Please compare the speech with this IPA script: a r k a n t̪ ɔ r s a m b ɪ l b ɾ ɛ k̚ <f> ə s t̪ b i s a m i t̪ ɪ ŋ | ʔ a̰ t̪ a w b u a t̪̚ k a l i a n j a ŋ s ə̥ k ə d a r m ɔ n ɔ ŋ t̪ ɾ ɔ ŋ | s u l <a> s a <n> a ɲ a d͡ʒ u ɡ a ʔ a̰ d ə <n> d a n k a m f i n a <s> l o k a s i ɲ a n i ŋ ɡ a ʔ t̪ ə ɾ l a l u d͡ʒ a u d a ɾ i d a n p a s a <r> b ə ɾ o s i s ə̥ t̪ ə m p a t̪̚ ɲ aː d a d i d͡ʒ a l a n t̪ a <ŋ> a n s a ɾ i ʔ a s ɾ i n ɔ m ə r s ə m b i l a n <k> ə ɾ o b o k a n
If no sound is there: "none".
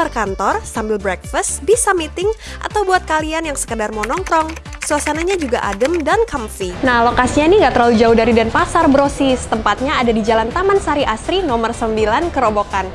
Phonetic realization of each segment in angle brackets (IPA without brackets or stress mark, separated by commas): f, a, n, m, h, r, m, k